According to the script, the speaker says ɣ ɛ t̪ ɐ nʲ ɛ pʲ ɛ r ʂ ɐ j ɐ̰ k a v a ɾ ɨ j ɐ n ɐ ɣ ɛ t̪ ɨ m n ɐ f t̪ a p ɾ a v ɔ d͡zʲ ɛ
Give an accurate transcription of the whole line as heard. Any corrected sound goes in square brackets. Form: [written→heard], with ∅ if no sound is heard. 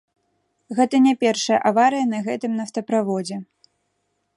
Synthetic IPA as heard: ɣ ɛ t̪ ɐ nʲ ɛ pʲ ɛ r ʂ ɐ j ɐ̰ [k→ʔ] a v a ɾ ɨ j ɐ n ɐ ɣ ɛ t̪ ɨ m n ɐ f t̪ [a→ɐ] p ɾ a v ɔ d͡zʲ ɛ